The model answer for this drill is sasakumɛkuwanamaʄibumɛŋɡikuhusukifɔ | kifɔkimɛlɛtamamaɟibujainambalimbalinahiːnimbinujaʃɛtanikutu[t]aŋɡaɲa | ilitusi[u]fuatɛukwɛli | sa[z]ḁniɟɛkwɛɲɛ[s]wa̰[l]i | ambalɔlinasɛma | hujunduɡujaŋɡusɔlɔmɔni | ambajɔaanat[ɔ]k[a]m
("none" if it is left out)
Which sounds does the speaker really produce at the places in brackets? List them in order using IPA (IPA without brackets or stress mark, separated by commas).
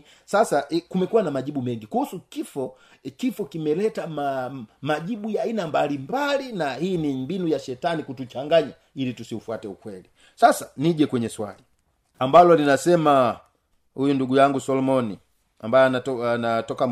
t͡ʃ, u, s, s, l, ɔ, a